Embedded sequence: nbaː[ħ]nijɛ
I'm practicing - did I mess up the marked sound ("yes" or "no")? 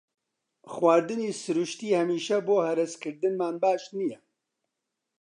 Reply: yes